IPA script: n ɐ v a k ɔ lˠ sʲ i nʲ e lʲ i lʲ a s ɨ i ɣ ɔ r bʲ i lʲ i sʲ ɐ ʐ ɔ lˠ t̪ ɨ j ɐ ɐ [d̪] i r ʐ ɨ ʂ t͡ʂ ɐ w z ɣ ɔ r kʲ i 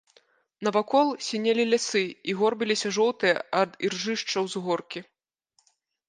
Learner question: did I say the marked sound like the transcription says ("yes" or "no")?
yes